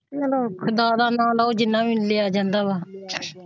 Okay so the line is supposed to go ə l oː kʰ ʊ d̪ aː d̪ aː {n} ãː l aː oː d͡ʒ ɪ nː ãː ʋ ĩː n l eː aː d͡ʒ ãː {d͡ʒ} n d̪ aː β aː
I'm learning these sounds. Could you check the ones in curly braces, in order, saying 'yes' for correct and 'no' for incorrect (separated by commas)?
yes, no